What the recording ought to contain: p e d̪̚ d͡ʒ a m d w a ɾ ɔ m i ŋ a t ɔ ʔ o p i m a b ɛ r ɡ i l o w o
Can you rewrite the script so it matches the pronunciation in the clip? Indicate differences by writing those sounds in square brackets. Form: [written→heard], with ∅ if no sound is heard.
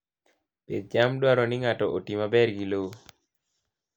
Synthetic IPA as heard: p e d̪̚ d͡ʒ a m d w a ɾ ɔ [m→n] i ŋ a t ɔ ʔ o [p→t] i m a b ɛ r ɡ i l o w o